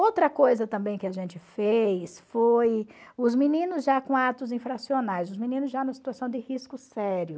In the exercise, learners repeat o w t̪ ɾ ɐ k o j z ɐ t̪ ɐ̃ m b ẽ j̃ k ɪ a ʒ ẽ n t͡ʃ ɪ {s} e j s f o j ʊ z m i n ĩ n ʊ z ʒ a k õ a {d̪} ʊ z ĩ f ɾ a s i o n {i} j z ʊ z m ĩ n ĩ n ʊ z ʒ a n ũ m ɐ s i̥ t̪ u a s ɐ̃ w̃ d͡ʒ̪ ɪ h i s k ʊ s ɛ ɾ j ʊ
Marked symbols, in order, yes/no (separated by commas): no, no, no